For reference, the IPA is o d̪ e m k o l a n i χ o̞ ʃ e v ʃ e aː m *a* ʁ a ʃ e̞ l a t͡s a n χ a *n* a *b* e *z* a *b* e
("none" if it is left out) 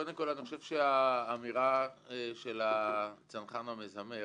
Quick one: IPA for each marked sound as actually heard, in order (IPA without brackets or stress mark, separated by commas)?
i, n, m, z, m